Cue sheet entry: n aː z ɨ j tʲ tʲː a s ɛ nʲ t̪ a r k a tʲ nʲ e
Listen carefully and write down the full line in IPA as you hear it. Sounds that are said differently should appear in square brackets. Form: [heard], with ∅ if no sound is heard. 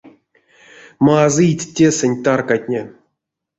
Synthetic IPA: [m] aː z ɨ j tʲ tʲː [e] s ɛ nʲ t̪ a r k a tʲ nʲ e